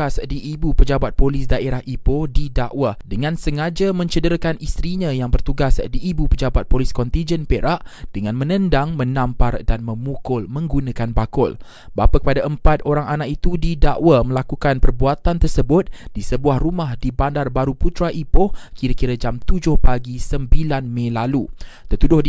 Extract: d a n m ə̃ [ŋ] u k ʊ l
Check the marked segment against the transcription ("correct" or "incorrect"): incorrect